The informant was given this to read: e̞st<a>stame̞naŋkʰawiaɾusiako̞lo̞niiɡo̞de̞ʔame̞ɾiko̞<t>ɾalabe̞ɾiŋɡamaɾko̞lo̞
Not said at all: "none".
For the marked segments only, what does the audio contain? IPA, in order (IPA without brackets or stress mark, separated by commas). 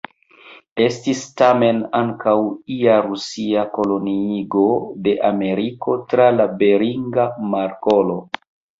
i, t